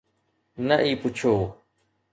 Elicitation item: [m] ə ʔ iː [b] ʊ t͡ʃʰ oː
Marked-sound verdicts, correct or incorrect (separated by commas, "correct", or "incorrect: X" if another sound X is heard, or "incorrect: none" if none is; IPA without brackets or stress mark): incorrect: n, incorrect: p